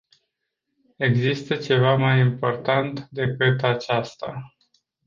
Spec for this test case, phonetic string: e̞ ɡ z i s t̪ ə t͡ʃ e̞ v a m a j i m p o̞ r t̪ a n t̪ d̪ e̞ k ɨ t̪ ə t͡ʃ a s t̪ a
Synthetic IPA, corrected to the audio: e̞ ɡ z i s t̪ ə t͡ʃ e̞ v a m a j i m p o̞ r t̪ a n t̪ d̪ e̞ k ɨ t̪ a t͡ʃ a s t̪ a